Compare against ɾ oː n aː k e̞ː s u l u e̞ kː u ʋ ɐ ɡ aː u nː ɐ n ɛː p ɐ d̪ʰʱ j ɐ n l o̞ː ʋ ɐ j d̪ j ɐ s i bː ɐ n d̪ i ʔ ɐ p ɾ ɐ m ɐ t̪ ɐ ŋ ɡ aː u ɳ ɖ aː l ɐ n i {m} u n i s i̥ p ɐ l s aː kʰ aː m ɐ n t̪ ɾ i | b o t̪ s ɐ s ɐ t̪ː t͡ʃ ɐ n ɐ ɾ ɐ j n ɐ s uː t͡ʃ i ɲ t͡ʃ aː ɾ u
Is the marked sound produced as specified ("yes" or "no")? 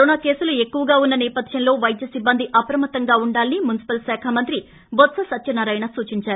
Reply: yes